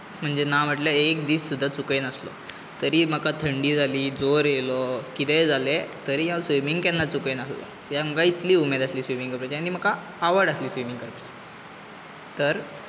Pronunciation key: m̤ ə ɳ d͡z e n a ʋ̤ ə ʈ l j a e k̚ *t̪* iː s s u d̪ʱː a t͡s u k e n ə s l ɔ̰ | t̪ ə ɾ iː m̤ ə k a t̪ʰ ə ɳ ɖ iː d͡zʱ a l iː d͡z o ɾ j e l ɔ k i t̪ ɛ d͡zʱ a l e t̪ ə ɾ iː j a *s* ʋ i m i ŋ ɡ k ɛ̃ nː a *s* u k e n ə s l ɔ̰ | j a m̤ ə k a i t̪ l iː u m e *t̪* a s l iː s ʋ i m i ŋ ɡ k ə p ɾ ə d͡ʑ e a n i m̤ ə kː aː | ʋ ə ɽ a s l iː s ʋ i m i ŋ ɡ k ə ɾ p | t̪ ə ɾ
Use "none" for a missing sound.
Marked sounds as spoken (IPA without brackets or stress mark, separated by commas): d̪, s, t͡s, d̪